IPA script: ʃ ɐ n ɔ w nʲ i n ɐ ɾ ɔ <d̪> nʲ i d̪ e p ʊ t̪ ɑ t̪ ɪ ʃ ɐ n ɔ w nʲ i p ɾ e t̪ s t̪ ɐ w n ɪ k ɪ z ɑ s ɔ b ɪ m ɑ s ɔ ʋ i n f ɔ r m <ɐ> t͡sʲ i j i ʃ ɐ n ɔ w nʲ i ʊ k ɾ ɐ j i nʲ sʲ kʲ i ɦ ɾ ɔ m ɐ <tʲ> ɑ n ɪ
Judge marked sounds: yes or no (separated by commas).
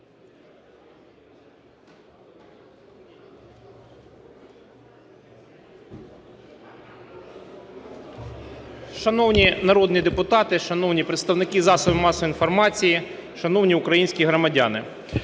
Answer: yes, no, no